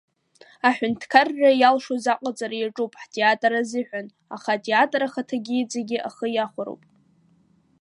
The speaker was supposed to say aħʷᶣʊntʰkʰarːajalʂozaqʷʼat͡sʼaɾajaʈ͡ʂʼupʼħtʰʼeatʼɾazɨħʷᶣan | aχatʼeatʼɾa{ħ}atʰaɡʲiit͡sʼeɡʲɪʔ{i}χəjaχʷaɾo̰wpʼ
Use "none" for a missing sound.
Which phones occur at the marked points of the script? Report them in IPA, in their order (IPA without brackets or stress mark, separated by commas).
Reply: χ, a